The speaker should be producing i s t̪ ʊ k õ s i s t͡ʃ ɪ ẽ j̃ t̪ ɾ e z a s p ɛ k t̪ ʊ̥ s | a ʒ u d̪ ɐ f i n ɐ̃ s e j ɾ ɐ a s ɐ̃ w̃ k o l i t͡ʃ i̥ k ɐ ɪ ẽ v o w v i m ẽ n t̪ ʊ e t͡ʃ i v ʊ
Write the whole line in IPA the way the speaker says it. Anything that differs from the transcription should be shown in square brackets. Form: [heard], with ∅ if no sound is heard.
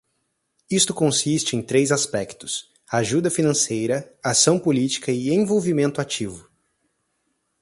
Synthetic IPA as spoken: i s t̪ ʊ k õ s i s t͡ʃ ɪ ẽ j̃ t̪ ɾ e z a s p ɛ k t̪ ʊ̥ s | a ʒ u d̪ ɐ f i n ɐ̃ s e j ɾ ɐ a s ɐ̃ w̃ [p] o l i t͡ʃ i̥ k ɐ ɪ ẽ v o w v i m ẽ n t̪ ʊ [a] t͡ʃ i v ʊ